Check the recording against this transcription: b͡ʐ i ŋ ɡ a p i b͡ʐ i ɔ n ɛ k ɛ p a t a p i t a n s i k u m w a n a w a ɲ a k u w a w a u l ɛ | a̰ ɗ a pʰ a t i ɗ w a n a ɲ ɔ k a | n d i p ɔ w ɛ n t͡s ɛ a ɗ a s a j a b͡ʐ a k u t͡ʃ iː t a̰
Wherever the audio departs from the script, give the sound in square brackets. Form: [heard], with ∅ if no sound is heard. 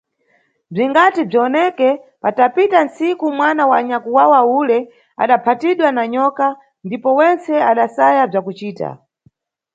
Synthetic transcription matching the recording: b͡ʐ i ŋ ɡ a [t] i b͡ʐ i ɔ n ɛ k ɛ p a t a p i t a n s i k u m w a n a w a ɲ a k u w a w a u l ɛ | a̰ ɗ a pʰ a t i ɗ w a n a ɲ ɔ k a | n d i p ɔ w ɛ n t͡s ɛ a ɗ a s a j a b͡ʐ a k u t͡ʃ iː t a̰